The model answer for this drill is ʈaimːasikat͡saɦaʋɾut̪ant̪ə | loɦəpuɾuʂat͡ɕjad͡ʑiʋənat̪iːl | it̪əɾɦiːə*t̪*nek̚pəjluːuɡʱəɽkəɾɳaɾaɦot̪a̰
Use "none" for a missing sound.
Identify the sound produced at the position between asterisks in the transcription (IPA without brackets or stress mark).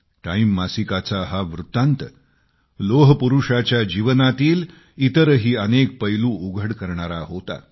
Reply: none